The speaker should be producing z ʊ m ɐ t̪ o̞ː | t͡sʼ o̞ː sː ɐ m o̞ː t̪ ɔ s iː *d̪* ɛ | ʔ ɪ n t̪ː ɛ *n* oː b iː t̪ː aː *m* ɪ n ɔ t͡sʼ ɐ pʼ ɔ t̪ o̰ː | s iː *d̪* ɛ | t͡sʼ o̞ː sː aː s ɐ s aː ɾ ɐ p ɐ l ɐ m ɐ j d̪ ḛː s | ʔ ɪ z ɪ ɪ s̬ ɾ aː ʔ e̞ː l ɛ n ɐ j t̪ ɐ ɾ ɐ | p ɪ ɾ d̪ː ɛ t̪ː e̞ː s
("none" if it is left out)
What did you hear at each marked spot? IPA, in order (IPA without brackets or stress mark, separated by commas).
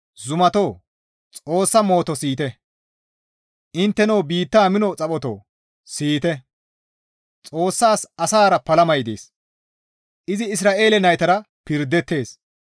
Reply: t̪, n, m, t̪